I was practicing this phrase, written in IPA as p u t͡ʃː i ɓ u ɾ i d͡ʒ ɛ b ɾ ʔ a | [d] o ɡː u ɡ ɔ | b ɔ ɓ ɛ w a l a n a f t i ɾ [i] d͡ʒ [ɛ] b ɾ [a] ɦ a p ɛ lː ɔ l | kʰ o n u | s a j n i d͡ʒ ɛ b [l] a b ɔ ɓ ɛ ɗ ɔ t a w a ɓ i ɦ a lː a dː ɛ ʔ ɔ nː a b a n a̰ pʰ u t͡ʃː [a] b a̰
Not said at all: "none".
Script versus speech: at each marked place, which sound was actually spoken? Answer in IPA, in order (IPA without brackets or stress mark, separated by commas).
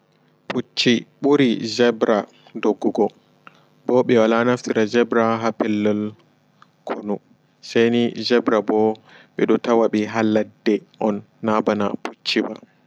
d, a, ɛ, a, ɾ, i